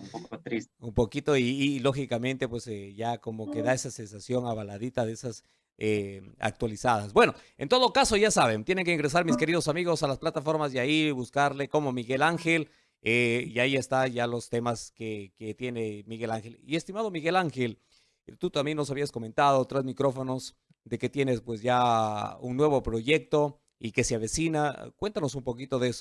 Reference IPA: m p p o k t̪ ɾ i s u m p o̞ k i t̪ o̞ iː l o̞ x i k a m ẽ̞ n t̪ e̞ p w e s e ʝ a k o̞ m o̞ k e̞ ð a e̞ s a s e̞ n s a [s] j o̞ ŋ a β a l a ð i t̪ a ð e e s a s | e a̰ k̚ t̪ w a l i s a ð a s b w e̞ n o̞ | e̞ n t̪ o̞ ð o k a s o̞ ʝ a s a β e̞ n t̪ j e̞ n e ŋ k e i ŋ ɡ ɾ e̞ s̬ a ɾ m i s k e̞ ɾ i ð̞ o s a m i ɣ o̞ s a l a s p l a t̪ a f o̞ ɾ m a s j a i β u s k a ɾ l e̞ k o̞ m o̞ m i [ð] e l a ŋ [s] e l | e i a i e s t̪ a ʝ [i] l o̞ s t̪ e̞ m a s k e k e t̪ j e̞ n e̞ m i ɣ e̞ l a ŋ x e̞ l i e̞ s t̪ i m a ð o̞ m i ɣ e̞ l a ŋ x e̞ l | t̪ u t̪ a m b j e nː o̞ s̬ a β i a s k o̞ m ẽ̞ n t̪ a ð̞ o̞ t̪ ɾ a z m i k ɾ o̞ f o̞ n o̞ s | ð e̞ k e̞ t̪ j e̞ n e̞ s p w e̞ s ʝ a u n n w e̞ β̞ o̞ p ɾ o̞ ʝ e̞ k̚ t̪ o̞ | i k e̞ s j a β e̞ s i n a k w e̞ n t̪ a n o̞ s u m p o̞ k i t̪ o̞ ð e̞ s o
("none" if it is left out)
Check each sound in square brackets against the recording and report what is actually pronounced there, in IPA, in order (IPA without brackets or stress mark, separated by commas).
s, ɣ, x, a